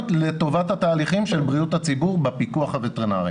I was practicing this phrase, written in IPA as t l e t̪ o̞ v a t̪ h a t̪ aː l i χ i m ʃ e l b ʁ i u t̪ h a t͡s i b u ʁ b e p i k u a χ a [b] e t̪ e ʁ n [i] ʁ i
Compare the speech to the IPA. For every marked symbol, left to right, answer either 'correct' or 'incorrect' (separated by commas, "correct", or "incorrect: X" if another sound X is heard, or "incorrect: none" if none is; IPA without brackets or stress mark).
incorrect: v, incorrect: a